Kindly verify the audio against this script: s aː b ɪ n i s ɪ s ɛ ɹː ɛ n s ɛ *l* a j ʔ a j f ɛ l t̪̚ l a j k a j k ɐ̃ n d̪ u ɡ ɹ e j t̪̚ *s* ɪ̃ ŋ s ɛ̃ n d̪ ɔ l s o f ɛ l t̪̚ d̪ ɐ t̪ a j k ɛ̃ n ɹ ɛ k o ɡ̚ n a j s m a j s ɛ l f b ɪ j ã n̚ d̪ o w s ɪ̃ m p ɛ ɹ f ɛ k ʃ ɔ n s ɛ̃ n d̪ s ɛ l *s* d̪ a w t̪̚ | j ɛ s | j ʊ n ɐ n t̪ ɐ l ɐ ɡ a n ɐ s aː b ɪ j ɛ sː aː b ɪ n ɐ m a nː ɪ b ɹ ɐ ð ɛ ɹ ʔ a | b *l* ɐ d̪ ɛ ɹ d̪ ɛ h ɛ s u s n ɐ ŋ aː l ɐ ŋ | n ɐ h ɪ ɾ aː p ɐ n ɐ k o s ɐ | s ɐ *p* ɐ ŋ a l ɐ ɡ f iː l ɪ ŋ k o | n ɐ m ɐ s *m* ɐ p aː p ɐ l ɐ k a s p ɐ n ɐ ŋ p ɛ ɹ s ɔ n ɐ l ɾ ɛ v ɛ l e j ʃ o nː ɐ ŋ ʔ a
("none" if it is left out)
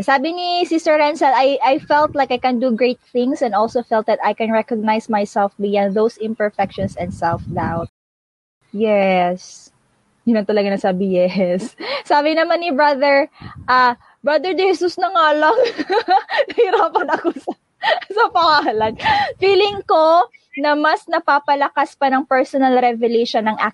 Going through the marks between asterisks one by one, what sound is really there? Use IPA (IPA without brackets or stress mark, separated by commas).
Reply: l, θ, f, ɹ, p, n